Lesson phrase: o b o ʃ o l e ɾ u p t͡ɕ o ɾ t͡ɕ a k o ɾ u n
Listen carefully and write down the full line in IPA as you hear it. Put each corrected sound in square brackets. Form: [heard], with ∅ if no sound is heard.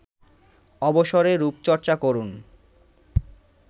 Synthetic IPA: [ɔ] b o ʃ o [ɾ] e ɾ u p t͡ɕ [ɔ] ɾ t͡ɕ a k o ɾ u n